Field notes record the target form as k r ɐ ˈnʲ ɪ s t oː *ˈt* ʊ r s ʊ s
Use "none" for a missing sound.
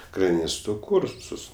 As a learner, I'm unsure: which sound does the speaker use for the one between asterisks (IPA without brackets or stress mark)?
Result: k